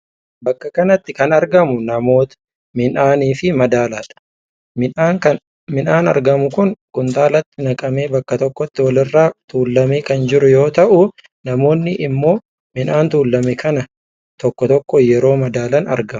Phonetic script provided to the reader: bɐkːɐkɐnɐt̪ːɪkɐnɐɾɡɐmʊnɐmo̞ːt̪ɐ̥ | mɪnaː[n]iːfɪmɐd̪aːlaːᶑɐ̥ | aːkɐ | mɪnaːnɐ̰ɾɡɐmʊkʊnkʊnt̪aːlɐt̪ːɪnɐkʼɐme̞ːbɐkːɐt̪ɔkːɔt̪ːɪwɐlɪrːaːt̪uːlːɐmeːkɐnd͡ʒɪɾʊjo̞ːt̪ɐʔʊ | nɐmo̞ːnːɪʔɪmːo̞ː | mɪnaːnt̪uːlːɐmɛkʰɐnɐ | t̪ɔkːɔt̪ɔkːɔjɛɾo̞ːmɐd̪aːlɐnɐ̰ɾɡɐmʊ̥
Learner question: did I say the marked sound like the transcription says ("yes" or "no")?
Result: yes